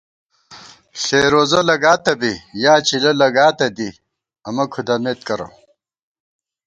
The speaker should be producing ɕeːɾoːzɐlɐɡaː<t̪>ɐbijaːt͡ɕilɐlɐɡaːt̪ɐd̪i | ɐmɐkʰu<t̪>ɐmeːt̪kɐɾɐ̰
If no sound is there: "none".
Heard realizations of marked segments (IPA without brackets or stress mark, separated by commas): t̪, d̪